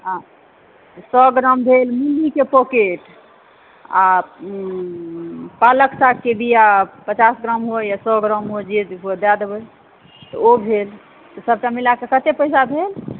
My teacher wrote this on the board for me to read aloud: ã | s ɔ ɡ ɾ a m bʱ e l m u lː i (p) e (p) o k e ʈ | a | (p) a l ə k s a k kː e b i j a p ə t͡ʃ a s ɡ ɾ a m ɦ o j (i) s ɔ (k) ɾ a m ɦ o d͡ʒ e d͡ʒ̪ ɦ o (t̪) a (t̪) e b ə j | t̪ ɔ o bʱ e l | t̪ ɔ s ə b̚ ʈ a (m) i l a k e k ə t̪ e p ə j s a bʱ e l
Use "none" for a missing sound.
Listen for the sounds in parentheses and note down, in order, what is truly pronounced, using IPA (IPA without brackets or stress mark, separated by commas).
k, p, p, a, ɡ, d̪, d̪, m